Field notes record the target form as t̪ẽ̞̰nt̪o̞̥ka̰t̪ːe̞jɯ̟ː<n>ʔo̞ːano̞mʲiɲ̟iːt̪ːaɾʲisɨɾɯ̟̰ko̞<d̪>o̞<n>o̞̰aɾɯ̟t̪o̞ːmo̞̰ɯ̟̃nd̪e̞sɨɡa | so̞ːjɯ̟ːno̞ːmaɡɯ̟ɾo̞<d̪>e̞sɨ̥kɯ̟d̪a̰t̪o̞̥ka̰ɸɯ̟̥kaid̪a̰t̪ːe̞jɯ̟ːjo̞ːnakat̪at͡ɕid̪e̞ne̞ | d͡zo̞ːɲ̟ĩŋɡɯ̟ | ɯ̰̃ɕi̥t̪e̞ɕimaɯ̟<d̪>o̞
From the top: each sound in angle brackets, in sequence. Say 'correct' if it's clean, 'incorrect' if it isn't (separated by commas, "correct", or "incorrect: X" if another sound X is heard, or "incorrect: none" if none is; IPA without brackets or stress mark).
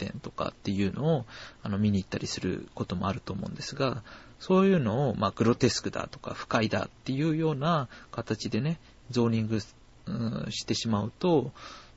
correct, incorrect: t̪, incorrect: m, incorrect: t̪, incorrect: t̪